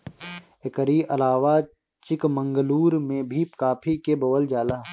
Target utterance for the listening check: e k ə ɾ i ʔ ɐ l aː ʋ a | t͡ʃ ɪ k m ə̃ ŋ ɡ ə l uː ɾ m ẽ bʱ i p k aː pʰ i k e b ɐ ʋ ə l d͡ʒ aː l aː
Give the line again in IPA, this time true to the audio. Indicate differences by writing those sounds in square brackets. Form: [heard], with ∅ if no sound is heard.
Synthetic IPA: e k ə ɾ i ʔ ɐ l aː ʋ a | t͡ʃ ɪ k m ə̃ ŋ ɡ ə l uː ɾ m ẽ bʱ i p k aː pʰ i k e b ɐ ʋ ə l d͡ʒ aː l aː